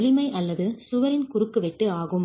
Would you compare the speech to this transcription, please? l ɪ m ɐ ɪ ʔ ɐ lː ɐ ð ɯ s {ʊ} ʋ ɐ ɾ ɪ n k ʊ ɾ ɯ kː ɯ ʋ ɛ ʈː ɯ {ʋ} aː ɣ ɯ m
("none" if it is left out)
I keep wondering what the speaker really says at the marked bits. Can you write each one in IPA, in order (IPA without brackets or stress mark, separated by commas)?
ʊ, none